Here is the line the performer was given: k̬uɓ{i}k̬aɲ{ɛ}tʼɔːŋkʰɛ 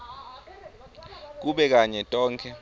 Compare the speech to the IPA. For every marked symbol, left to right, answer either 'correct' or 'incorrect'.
incorrect: ɛ, correct

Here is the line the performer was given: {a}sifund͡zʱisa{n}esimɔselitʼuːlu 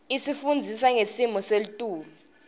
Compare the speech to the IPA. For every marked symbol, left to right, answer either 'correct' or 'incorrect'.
incorrect: i, incorrect: ŋ

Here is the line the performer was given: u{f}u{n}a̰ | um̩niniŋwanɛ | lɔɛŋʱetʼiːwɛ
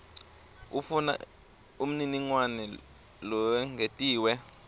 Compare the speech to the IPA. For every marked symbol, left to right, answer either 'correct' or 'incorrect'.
correct, correct

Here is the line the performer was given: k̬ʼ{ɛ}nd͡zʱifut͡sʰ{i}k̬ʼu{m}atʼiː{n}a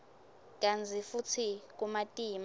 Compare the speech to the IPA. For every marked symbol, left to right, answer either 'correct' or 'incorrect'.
incorrect: a, correct, correct, incorrect: m

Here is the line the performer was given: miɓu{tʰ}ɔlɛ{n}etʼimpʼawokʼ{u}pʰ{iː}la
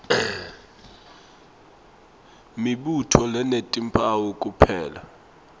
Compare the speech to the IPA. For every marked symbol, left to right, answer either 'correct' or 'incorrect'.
correct, correct, correct, incorrect: ɛː

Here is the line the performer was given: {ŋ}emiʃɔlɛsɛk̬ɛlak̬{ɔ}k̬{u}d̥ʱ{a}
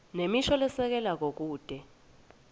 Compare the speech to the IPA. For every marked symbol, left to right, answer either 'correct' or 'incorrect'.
incorrect: n, incorrect: o, incorrect: uː, incorrect: ɛ

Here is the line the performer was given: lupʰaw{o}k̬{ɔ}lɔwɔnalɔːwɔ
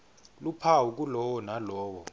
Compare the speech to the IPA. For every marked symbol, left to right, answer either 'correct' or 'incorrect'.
incorrect: u, incorrect: u

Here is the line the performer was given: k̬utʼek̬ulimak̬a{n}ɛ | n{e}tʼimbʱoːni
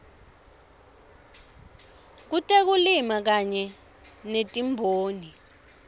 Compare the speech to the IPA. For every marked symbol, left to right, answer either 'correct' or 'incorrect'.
incorrect: ɲ, correct

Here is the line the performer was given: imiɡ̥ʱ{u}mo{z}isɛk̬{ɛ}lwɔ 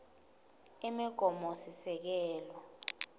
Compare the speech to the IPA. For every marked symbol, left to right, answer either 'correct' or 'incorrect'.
incorrect: ɔ, incorrect: s, incorrect: ɛː

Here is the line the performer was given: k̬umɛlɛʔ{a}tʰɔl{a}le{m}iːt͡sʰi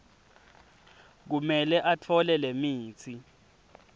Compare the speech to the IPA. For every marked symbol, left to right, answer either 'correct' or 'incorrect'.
correct, incorrect: ɛ, correct

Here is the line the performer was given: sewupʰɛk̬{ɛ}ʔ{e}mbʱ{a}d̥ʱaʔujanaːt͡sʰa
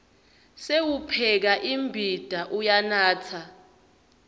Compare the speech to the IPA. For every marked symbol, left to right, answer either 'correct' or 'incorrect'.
incorrect: a, incorrect: i, incorrect: i

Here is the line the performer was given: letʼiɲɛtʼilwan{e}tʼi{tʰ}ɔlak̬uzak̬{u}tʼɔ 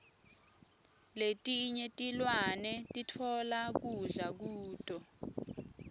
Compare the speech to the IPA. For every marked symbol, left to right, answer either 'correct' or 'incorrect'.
incorrect: ɛ, correct, incorrect: uː

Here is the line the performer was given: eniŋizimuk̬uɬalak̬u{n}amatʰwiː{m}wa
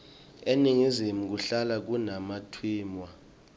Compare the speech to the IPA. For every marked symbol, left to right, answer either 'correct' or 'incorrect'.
correct, correct

